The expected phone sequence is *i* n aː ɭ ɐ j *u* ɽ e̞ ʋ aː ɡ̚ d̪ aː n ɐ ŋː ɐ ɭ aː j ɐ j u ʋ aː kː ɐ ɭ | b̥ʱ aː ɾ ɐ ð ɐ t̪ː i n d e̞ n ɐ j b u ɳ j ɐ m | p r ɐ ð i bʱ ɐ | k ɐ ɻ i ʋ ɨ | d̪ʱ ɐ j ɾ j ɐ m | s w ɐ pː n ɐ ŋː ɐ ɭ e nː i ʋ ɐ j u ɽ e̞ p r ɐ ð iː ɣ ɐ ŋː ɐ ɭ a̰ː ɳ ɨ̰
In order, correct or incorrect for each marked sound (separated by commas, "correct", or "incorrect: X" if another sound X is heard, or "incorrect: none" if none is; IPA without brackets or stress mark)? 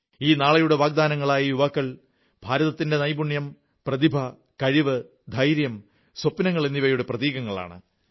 incorrect: iː, correct